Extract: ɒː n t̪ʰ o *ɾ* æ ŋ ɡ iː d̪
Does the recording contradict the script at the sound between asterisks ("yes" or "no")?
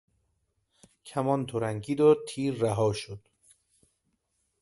no